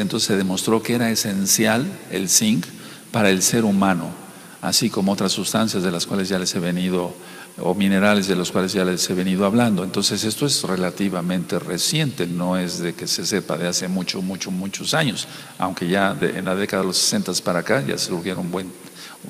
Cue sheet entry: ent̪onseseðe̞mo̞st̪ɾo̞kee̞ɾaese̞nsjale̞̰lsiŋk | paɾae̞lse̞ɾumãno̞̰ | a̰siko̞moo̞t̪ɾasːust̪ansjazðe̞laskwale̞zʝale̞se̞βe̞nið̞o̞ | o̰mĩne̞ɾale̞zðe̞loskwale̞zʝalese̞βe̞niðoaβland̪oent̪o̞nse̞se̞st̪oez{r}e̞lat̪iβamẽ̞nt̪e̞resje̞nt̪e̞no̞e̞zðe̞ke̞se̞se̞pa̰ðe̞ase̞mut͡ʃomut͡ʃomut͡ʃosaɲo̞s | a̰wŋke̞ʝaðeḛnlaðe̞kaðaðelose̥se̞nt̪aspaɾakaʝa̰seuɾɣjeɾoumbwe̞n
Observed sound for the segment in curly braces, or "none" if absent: r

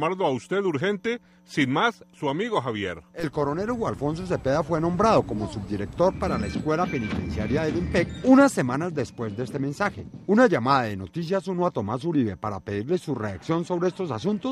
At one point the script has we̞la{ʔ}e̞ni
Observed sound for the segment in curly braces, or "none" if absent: p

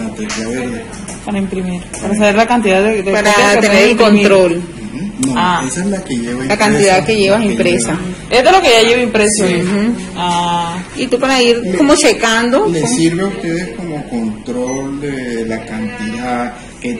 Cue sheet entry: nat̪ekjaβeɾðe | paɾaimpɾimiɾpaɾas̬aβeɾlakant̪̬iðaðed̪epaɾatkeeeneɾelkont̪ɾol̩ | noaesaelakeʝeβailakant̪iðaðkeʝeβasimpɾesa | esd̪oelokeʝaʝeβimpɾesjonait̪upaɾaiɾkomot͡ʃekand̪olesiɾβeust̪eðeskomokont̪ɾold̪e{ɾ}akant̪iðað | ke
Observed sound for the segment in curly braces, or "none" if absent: l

